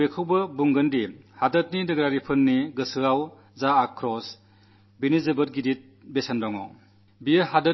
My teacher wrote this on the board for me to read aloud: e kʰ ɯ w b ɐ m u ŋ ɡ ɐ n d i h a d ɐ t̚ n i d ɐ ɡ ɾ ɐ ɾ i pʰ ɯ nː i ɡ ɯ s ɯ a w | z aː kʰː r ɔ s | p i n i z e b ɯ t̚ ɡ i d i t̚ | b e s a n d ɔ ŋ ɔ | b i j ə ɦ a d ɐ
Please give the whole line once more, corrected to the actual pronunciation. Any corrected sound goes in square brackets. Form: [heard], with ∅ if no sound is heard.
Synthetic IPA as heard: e kʰ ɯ w b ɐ [b] u ŋ ɡ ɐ n d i h a d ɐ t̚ n i d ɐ ɡ ɾ [a] ɾ i pʰ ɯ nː i ɡ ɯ s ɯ a w | z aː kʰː [ɾ] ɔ s | [b] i n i z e b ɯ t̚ ɡ i d i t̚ | b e s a n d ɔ ŋ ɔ | b i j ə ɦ a d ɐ

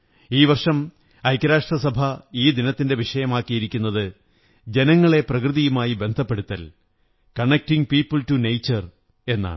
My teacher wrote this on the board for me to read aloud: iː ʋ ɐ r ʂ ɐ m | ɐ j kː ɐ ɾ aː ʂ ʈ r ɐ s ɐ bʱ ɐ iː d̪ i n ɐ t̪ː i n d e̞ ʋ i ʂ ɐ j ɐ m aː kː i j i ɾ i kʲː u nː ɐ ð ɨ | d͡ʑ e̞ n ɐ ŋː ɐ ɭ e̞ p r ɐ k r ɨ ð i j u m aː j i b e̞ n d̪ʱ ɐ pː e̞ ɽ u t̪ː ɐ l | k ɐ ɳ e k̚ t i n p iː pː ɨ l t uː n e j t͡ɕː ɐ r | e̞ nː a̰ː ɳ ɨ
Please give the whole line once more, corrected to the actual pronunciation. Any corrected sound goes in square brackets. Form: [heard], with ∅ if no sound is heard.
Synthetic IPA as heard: iː ʋ ɐ r ʂ ɐ m | ɐ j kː ɐ ɾ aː ʂ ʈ r ɐ s ɐ bʱ ɐ iː d̪ i n ɐ t̪ː i n d e̞ ʋ i ʂ ɐ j ɐ m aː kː i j i ɾ i kʲː u nː ɐ ð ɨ | d͡ʑ e̞ n ɐ ŋː ɐ ɭ e̞ p r ɐ k r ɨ ð i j u m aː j i b e̞ n d̪ʱ ɐ pː e̞ ɽ u t̪ː ɐ l | k ɐ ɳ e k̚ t i [ŋ] p iː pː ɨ l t [u] n e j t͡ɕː ɐ r | e̞ nː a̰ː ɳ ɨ

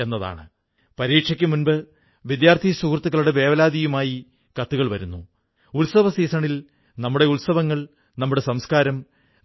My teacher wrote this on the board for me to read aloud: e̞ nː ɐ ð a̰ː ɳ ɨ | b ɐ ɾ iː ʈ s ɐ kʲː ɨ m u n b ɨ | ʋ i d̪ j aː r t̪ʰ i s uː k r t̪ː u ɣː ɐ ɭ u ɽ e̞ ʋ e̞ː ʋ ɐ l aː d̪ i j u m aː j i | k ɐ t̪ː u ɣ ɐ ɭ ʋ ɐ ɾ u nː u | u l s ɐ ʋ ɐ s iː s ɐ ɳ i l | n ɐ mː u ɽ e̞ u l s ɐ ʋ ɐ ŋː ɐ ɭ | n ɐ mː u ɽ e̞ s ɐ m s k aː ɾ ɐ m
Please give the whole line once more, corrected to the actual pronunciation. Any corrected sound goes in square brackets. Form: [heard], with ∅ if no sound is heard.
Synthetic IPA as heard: e̞ nː ɐ ð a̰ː ɳ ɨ | [p] ɐ ɾ iː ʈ [ʂ] ɐ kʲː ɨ m u n b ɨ | ʋ i d̪ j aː r t̪ʰ i s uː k r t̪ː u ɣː ɐ ɭ u ɽ e̞ ʋ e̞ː ʋ ɐ l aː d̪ i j u m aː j i | k ɐ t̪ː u ɣ ɐ ɭ ʋ ɐ ɾ u nː u | u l s ɐ ʋ ɐ s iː s ɐ ɳ i l | n ɐ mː u ɽ e̞ u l s ɐ ʋ ɐ ŋː ɐ ɭ | n ɐ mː u ɽ e̞ s ɐ m s k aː ɾ ɐ m

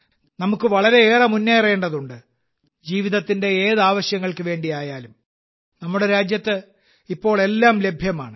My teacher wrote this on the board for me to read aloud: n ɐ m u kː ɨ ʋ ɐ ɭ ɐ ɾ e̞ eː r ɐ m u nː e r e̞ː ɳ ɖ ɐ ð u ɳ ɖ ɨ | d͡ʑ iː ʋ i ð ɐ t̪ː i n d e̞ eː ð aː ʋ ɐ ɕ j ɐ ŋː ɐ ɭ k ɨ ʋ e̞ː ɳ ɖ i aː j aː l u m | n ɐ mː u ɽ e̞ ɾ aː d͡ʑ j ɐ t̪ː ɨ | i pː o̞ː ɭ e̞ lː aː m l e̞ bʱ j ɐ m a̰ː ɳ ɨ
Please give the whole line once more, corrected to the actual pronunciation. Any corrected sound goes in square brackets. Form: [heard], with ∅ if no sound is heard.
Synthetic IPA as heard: n ɐ m u kː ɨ ʋ ɐ ɭ ɐ ɾ e̞ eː r ɐ m u nː e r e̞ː ɳ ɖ ɐ ð u ɳ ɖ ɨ | d͡ʑ iː ʋ i ð ɐ t̪ː i n d e̞ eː ð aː ʋ ɐ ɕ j ɐ ŋː ɐ ɭ k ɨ ʋ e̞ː ɳ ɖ i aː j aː l u m | n ɐ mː u ɽ e̞ ɾ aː d͡ʑ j ɐ t̪ː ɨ | i pː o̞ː ɭ e̞ lː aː m l e̞ bʱ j ɐ m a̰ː ɳ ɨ

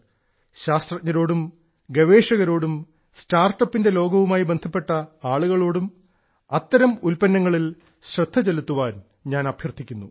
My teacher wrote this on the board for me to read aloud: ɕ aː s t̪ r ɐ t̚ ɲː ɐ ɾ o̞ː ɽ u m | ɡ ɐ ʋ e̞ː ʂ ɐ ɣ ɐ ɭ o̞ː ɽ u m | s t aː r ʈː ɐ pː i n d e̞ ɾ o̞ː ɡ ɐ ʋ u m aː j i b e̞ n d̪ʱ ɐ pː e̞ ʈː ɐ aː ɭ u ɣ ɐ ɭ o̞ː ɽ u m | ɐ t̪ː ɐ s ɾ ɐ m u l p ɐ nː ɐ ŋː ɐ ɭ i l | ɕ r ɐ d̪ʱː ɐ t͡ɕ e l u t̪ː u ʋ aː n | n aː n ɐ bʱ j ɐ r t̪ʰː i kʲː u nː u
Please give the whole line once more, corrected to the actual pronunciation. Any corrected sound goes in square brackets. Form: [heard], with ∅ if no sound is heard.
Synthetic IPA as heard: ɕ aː s t̪ r ɐ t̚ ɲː ɐ ɾ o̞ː ɽ u m | ɡ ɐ ʋ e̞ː ʂ ɐ ɣ ɐ [ɾ] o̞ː ɽ u m | s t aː r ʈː ɐ pː i n d e̞ [l] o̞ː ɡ ɐ ʋ u m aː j i b e̞ n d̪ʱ ɐ pː e̞ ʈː ɐ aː ɭ u ɣ ɐ ɭ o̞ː ɽ u m | ɐ t̪ː ɐ [∅] ɾ ɐ m u l p ɐ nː ɐ ŋː ɐ ɭ i l | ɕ r ɐ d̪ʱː ɐ t͡ɕ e l u t̪ː u ʋ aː n | [ɲ] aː n ɐ bʱ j ɐ r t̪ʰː i kʲː u nː u

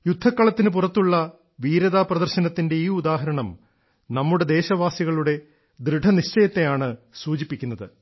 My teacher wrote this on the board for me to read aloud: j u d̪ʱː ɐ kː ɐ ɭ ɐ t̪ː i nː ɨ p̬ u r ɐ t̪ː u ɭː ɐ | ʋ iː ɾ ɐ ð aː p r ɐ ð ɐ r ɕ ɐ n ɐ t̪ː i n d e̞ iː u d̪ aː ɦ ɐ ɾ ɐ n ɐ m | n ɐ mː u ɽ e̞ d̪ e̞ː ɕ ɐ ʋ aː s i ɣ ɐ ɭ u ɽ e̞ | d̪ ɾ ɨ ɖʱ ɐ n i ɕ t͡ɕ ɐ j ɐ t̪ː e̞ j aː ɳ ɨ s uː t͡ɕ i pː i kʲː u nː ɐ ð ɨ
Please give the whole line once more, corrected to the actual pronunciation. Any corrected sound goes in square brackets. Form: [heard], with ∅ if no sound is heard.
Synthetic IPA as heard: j u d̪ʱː ɐ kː ɐ ɭ ɐ t̪ː i [n] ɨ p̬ u r ɐ t̪ː u ɭː ɐ | ʋ iː ɾ ɐ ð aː p r ɐ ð ɐ r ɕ ɐ n ɐ t̪ː i n d e̞ iː u d̪ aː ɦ ɐ ɾ ɐ [ɳ] ɐ m | n ɐ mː u ɽ e̞ d̪ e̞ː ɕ ɐ ʋ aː s i ɣ ɐ ɭ u ɽ e̞ | d̪ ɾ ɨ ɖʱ ɐ n i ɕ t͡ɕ ɐ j ɐ t̪ː e̞ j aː ɳ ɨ s uː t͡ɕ i pː i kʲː u nː ɐ ð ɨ

